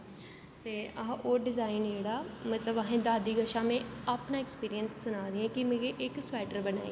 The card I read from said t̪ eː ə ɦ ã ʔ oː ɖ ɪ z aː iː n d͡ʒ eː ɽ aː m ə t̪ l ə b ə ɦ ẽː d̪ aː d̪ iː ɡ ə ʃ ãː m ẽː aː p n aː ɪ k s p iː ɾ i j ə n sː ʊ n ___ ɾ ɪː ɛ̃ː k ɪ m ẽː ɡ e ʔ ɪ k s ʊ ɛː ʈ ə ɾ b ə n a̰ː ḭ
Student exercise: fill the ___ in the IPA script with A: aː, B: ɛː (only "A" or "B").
A